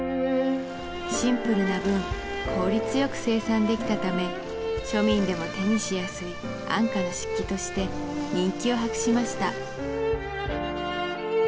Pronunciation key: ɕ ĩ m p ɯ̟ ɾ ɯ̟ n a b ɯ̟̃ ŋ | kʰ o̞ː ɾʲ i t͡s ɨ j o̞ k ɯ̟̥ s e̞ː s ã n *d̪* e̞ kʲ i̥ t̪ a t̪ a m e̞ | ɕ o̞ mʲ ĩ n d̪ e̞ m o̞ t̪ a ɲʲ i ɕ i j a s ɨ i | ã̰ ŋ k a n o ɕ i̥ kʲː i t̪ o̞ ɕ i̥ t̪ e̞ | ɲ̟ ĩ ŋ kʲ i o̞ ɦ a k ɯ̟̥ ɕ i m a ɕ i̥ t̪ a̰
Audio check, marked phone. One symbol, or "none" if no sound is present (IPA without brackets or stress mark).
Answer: d̪